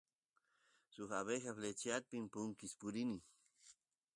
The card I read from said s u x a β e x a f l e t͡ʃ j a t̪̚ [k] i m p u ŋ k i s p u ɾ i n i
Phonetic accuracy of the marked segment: incorrect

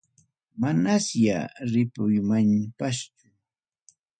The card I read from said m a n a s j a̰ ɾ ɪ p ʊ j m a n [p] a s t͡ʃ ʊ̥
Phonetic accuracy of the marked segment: correct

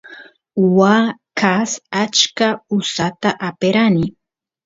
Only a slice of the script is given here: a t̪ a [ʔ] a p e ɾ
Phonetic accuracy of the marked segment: correct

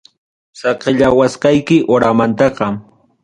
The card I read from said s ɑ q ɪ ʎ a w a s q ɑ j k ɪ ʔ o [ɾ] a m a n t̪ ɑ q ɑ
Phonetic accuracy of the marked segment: correct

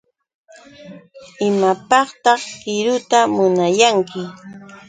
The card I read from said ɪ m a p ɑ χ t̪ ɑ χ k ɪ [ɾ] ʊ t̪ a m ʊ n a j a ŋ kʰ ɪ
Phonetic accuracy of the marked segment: correct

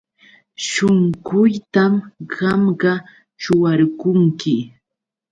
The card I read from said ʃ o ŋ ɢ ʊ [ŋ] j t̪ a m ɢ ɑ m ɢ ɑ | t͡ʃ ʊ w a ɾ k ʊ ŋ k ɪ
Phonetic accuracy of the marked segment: incorrect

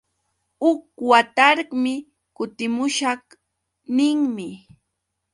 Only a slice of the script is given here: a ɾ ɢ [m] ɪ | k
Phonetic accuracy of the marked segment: correct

